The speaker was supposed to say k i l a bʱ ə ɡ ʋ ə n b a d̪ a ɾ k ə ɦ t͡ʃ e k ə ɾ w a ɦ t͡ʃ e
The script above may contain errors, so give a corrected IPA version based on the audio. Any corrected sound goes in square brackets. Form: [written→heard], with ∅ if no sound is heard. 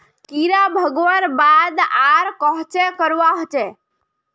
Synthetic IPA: k i [l→ɾ] a bʱ ə ɡ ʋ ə n b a d̪ a ɾ k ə ɦ t͡ʃ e k ə ɾ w a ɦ t͡ʃ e